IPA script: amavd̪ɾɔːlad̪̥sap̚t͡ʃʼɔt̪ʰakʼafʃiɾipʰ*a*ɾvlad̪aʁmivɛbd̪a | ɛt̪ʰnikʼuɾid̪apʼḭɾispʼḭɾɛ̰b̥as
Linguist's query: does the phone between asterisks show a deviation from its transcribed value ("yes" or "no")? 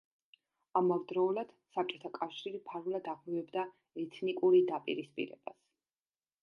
no